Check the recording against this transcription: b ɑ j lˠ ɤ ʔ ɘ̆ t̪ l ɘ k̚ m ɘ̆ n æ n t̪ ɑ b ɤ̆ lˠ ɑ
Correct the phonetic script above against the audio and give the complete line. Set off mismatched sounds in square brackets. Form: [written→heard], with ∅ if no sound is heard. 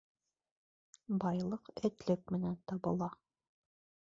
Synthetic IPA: b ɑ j lˠ ɤ [ʔ→q] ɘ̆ t̪ l ɘ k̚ m ɘ̆ n æ n t̪ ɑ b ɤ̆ lˠ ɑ